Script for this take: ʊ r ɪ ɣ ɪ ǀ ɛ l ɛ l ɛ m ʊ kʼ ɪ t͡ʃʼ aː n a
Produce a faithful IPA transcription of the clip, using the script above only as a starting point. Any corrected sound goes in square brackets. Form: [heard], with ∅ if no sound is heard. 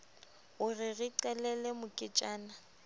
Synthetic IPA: ʊ r ɪ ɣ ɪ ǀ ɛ l ɛ l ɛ m ʊ kʼ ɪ t͡ʃʼ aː n a